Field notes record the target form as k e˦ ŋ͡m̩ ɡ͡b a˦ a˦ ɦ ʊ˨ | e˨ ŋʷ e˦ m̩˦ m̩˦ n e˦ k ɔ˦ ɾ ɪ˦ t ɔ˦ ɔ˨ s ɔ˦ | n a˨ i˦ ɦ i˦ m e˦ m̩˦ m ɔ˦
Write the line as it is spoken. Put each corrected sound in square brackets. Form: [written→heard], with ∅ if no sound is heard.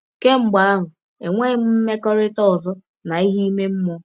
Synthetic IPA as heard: k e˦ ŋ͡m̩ ɡ͡b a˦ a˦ ɦ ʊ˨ | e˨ ŋʷ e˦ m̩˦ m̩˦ [n→m] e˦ k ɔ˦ ɾ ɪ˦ t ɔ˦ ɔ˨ [s→z] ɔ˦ | n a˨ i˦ ɦ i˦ m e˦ m̩˦ m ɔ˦